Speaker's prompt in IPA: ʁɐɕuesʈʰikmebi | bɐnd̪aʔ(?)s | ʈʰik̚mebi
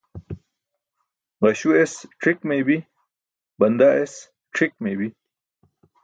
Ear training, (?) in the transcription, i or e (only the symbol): e